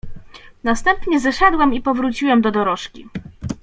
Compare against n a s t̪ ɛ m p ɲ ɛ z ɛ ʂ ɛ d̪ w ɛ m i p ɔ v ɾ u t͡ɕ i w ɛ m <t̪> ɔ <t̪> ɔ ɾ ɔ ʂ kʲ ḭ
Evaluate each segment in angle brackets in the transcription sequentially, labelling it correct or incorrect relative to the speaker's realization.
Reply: incorrect, incorrect

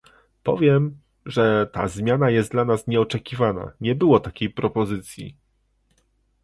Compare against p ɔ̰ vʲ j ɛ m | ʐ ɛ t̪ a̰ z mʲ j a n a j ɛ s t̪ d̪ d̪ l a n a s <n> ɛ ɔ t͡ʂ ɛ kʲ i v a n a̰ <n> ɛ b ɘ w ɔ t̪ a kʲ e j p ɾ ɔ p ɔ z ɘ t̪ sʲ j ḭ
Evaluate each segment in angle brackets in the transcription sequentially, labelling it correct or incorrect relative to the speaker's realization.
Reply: incorrect, incorrect

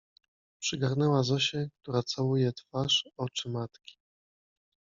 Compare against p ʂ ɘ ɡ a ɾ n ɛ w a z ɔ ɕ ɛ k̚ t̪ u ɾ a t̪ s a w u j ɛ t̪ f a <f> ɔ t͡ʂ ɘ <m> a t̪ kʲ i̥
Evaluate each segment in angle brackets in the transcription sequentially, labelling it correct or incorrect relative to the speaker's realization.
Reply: incorrect, correct

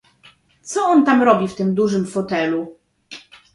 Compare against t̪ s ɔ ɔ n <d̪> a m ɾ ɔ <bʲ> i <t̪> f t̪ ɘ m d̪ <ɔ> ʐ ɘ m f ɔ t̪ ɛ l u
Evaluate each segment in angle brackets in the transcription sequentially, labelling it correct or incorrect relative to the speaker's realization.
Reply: incorrect, correct, incorrect, incorrect

